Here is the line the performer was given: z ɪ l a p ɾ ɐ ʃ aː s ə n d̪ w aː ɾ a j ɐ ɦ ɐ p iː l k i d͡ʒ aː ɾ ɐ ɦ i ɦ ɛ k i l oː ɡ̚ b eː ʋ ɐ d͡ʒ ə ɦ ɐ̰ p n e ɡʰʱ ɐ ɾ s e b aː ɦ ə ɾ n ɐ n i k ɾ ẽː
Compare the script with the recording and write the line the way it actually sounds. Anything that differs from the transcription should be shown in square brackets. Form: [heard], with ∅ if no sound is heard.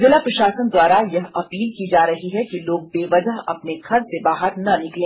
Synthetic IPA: z ɪ l a p ɾ ɐ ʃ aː s ə n d̪ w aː ɾ a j ɐ ɦ ɐ p iː l k i d͡ʒ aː ɾ ɐ ɦ i ɦ ɛ k i l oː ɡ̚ b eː ʋ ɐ d͡ʒ ə ɦ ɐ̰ p n e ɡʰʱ ɐ ɾ s e b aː ɦ ə ɾ n ɐ n [ɪ] k [l] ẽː